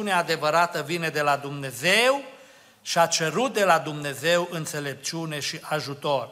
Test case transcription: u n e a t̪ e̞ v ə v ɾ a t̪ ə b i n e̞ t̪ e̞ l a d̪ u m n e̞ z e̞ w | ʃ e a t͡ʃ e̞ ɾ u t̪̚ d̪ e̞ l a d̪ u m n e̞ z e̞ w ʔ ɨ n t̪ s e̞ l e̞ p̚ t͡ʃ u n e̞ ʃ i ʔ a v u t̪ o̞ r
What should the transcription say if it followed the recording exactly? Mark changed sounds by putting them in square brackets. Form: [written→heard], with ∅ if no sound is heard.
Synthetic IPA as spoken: u n e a [t̪→d̪] e̞ v ə [v→∅] ɾ a t̪ ə [b→v] i n e̞ [t̪→d̪] e̞ l a d̪ u m n e̞ z e̞ w | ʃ [e→i] a t͡ʃ e̞ ɾ u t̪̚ d̪ e̞ l a d̪ u m n e̞ z e̞ w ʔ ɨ n t̪ s e̞ l e̞ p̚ t͡ʃ u n e̞ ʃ i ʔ a [v→ʒ] u t̪ o̞ r